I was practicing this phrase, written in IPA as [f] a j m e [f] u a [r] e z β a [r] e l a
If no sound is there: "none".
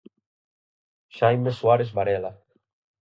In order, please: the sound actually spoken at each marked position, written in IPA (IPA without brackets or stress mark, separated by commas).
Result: ʃ, s, ɾ, ɾ